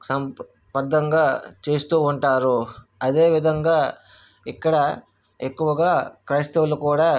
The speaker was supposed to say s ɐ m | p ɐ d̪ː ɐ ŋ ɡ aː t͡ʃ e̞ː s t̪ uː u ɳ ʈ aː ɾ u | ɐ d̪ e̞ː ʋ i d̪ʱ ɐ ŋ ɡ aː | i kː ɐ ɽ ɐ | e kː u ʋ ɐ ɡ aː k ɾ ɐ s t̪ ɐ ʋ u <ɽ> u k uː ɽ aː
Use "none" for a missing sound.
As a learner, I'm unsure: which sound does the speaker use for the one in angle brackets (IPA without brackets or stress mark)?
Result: l